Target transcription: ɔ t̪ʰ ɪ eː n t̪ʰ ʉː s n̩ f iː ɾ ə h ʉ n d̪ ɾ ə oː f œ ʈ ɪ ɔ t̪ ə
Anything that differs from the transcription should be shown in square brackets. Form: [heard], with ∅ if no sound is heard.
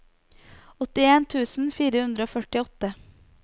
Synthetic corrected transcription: ɔ [t̪] ɪ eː n t̪ʰ ʉː s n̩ f iː ɾ ə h ʉ n d̪ ɾ ə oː f œ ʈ ɪ ɔ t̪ ə